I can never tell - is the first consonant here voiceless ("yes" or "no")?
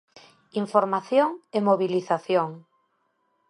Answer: no